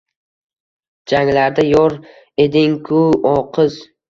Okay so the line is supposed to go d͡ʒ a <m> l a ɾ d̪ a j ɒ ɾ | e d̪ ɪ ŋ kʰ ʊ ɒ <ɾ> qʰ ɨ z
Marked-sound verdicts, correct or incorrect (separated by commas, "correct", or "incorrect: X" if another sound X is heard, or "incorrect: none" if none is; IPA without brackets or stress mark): incorrect: ŋ, incorrect: none